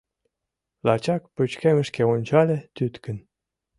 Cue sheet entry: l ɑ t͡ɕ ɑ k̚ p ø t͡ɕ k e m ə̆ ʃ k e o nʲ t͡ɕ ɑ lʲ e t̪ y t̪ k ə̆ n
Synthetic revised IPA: l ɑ t͡ɕ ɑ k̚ p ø t͡ɕ k e m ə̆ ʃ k e o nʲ t͡ɕ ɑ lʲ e t̪ y t̪ k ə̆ n